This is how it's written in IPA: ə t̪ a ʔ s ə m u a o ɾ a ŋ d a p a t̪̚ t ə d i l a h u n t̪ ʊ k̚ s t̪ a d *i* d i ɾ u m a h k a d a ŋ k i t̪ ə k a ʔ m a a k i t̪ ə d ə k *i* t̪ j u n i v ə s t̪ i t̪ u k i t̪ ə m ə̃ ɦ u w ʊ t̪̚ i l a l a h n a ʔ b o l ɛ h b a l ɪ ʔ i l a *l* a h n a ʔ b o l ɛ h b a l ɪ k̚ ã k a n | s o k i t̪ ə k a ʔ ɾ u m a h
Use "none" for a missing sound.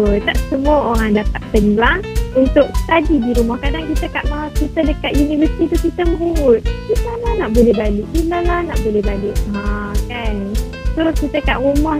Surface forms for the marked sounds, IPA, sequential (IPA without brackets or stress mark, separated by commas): i, a, l